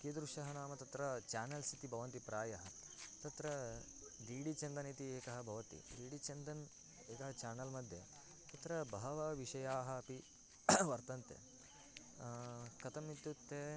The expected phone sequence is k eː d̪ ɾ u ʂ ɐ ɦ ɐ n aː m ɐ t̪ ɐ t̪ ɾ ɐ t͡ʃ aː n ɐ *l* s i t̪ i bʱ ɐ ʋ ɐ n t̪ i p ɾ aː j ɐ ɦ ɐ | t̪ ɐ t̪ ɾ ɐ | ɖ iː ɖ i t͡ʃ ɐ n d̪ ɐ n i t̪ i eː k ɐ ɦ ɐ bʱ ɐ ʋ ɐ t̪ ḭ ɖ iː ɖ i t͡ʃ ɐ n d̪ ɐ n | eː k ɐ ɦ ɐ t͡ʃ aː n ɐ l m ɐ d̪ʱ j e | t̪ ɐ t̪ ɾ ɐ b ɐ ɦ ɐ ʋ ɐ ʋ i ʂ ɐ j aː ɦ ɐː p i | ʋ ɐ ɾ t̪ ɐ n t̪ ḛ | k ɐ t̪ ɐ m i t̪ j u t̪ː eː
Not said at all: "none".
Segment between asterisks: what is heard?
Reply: l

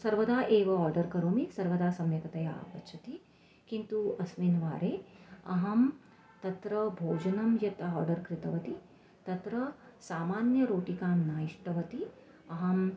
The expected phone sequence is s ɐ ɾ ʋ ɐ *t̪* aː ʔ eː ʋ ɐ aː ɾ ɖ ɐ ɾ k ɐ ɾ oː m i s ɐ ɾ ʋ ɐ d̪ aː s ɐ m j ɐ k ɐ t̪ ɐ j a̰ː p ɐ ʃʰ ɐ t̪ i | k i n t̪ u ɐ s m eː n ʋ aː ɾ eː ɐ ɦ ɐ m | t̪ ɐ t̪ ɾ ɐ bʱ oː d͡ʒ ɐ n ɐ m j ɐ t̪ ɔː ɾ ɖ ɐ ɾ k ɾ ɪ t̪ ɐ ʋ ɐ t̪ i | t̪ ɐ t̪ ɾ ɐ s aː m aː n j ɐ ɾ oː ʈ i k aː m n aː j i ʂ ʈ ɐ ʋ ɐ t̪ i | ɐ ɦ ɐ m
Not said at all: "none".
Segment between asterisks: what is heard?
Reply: d̪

